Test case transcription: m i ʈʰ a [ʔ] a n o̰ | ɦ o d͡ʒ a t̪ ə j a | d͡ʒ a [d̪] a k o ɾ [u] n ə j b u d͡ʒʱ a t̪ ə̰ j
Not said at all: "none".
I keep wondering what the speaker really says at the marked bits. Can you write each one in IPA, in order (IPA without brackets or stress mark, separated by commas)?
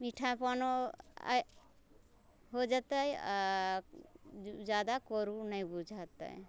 p, d̪, u